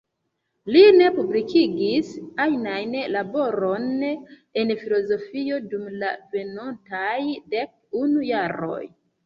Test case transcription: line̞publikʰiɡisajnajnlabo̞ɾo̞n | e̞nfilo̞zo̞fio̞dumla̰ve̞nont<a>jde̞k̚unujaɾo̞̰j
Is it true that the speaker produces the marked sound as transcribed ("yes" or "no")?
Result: yes